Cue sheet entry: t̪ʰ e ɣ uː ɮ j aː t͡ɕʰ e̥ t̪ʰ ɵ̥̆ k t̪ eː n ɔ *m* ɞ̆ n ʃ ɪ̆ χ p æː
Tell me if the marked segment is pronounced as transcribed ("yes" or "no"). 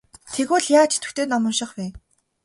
yes